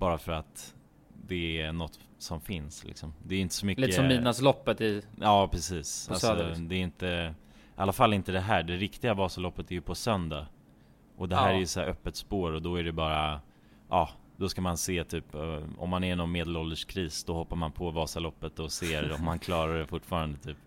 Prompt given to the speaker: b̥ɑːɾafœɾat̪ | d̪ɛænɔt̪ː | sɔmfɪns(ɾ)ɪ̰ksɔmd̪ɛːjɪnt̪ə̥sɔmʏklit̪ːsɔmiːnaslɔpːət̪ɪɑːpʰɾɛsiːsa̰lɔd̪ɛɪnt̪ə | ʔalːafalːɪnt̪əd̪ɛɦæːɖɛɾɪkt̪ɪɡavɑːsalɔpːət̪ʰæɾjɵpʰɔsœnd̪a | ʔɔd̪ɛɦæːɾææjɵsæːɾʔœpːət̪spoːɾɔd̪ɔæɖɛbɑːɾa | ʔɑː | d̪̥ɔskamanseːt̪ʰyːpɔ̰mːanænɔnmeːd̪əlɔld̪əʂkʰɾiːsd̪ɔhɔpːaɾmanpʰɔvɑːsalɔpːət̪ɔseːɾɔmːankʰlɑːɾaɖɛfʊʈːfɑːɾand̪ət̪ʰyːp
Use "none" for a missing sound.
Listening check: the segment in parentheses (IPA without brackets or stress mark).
l